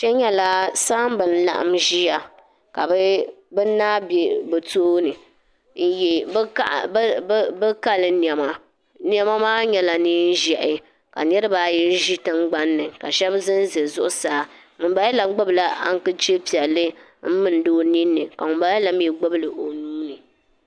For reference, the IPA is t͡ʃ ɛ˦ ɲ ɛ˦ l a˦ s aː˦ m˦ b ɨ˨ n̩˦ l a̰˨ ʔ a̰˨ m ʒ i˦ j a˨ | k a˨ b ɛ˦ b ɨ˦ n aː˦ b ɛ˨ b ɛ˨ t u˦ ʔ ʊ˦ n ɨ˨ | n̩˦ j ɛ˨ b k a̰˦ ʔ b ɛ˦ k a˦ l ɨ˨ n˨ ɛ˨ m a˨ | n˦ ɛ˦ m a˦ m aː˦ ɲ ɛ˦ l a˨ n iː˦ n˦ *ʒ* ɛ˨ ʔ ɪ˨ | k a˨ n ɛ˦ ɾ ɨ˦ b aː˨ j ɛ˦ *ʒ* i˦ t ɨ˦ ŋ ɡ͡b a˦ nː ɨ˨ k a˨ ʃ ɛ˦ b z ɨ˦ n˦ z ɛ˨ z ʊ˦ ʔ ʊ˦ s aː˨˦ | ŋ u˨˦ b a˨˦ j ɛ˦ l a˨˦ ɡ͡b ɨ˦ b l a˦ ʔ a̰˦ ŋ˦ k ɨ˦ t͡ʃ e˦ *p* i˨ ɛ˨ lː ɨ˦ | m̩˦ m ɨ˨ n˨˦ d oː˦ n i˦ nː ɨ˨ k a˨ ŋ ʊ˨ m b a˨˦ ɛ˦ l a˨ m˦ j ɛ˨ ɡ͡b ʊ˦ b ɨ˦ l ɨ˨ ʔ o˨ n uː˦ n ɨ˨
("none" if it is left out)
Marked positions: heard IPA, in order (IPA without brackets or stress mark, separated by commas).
ʒ, ʒ, p